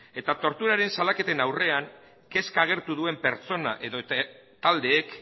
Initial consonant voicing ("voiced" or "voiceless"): voiceless